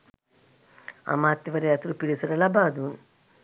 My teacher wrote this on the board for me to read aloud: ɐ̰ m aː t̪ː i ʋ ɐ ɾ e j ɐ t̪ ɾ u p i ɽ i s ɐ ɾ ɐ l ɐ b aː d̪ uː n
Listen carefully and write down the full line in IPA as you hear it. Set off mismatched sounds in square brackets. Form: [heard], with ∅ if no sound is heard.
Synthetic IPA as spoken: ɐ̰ m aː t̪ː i ʋ ɐ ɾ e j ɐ t̪ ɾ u p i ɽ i s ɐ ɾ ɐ l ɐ b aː d̪ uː n